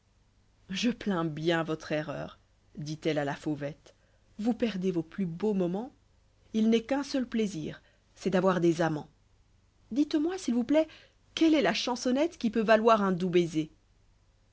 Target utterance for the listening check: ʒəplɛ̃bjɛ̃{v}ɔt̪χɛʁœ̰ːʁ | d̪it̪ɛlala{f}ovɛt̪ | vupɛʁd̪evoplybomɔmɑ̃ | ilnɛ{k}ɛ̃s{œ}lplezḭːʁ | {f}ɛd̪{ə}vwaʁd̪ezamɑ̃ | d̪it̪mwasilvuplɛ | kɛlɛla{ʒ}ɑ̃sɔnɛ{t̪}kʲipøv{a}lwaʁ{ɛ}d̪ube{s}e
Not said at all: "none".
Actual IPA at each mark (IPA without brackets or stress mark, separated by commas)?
v, f, k, œ, s, a, ʃ, t̪, a, ɛ̃, z